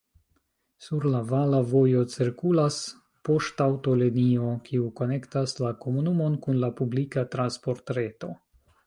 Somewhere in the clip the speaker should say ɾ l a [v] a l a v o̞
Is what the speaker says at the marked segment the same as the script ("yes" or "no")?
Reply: yes